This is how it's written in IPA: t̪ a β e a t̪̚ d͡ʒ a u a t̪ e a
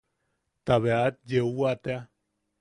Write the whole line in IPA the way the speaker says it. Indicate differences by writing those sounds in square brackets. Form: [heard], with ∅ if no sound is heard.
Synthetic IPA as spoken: t̪ a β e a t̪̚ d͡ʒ [e] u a t̪ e a